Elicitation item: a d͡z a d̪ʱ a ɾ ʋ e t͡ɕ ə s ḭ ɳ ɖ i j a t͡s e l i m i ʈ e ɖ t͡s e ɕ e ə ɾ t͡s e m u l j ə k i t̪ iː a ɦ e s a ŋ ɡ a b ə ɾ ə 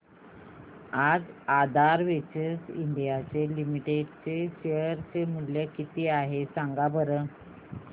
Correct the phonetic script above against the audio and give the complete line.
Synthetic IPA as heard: a d͡z a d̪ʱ a ɾ ʋ e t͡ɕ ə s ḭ ɳ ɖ i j a t͡s e l i m i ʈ e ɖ t͡s e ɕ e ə ɾ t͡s e m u l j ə k i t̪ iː a ɦ e s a ŋ ɡ a b ə ɾ ə